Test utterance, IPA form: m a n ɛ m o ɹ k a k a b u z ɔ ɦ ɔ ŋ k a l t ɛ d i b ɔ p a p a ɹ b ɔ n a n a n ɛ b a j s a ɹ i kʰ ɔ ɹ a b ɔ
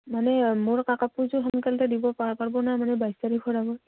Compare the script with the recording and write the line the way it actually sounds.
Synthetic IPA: m a n ɛ m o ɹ k a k a p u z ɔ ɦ ɔ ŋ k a l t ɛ d i b ɔ p a p a ɹ b ɔ n a m a n ɛ b a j s a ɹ i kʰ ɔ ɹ a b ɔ

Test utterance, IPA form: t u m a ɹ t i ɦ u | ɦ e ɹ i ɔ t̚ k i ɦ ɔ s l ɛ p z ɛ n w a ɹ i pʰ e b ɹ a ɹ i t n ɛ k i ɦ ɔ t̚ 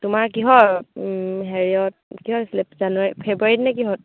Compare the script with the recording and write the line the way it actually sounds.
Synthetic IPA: t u m a ɹ k i ɦ ɔ | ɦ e ɹ i ɔ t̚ k i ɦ ɔ s l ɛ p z a n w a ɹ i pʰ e b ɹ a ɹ i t n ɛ k i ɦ ɔ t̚

